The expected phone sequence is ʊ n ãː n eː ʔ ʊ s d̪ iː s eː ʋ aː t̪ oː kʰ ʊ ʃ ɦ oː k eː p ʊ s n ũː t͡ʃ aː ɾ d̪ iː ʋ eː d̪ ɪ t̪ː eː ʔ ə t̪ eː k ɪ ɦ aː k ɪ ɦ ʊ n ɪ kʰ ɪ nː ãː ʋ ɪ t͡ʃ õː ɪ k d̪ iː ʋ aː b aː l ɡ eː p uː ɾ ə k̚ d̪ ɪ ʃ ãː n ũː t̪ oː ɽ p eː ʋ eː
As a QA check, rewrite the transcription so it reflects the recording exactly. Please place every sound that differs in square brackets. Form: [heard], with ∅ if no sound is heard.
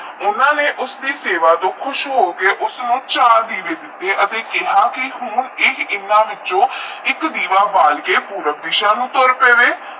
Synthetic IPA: ʊ n ãː n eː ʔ ʊ s d̪ iː s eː ʋ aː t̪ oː kʰ ʊ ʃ ɦ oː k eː [ʔ] ʊ s n ũː t͡ʃ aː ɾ d̪ iː ʋ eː d̪ ɪ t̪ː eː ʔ ə t̪ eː k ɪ ɦ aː k ɪ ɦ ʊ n ɪ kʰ ɪ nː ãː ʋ ɪ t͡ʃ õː ɪ k d̪ iː ʋ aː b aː l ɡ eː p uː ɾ ə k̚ d̪ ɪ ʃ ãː n ũː t̪ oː [ɾ] p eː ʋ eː